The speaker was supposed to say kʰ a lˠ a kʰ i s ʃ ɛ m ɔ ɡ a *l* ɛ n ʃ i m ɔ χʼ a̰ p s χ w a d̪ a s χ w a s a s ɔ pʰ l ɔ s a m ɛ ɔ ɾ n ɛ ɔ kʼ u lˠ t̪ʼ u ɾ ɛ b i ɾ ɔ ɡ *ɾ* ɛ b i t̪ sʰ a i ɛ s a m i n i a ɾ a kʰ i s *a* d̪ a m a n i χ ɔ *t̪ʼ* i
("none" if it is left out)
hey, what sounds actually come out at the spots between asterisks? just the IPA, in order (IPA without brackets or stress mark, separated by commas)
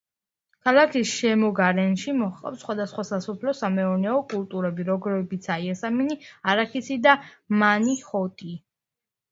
ɾ, ɾ, i, t̪ʼ